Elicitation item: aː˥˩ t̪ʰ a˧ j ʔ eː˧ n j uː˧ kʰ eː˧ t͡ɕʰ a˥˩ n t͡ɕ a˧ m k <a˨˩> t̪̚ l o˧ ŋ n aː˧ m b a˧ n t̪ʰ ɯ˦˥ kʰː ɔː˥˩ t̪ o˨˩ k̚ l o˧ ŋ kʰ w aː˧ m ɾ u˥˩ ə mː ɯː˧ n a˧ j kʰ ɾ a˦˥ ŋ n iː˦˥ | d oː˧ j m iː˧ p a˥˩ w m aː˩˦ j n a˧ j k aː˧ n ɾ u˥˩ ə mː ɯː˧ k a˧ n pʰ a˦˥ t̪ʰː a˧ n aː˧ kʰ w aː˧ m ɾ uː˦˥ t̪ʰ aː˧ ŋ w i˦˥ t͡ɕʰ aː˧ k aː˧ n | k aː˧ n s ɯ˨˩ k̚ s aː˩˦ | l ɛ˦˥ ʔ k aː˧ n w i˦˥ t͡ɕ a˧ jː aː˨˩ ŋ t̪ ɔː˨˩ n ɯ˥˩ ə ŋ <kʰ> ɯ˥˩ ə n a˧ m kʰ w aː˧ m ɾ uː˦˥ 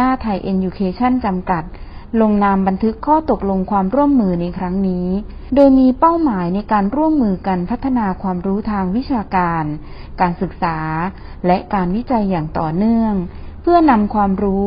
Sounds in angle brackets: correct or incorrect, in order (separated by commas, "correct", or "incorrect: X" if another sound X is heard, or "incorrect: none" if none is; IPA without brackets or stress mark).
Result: correct, incorrect: pʰ